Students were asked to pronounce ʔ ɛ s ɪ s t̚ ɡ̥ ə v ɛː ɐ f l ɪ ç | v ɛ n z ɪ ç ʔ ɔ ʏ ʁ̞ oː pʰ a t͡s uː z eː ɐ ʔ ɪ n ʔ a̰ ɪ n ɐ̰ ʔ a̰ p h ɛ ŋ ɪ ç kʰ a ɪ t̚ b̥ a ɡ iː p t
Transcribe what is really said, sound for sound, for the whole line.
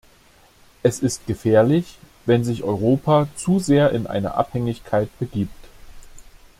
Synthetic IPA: ʔ ɛ s ɪ s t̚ ɡ̥ ə f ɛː ɐ l ɪ ç | v ɛ n z ɪ ç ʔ ɔ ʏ ʁ̞ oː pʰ a t͡s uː z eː ɐ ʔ ɪ n ʔ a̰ ɪ n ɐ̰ ʔ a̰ p h ɛ ŋ ɪ ç kʰ a ɪ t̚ b̥ ə ɡ iː p t